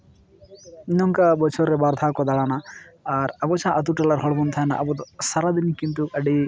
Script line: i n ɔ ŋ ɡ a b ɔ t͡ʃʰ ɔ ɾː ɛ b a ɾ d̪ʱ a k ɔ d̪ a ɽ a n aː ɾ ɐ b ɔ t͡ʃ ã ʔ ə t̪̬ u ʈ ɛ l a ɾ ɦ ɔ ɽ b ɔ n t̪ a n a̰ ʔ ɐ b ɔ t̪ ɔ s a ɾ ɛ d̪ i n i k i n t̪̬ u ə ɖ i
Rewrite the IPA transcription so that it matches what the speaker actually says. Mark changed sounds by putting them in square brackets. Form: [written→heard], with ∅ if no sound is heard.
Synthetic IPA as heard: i n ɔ ŋ [ɡ→k] a b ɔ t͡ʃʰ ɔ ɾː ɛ b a ɾ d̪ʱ a k ɔ d̪ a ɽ a n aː ɾ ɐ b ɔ t͡ʃ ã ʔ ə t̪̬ u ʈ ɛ l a ɾ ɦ ɔ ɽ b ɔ n [t̪→t̪ʰ] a n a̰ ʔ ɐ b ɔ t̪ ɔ s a ɾ [ɛ→a] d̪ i n i k i n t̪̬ u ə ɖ i